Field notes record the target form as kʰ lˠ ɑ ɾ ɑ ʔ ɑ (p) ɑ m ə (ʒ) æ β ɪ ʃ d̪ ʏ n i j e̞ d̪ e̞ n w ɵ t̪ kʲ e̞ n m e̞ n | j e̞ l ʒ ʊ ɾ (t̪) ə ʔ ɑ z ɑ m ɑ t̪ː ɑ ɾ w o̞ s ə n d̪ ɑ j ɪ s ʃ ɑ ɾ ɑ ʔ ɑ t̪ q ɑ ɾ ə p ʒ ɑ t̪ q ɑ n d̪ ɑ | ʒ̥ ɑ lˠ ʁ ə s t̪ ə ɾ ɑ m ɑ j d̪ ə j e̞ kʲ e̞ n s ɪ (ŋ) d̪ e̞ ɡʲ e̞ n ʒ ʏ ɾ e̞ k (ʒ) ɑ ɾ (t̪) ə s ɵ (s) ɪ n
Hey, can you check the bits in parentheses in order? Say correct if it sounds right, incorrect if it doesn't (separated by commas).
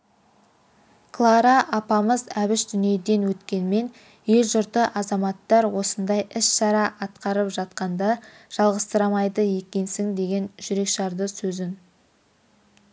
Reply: correct, incorrect, correct, correct, incorrect, incorrect, incorrect